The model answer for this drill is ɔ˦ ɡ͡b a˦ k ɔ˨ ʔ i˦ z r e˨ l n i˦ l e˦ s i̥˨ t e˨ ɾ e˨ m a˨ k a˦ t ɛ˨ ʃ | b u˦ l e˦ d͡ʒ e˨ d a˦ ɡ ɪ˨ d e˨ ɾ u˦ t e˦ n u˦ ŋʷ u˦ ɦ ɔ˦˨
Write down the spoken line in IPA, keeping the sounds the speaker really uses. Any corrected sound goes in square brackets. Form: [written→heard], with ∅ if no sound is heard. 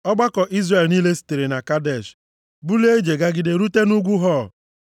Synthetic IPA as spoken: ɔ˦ ɡ͡b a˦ k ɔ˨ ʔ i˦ z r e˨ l n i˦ l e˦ s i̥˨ t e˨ ɾ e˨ [m→n] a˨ k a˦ [t→d] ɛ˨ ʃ | b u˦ l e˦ d͡ʒ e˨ [d→ɡ] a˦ ɡ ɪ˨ d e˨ ɾ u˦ t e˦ n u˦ [ŋʷ→ɡʷ] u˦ ɦ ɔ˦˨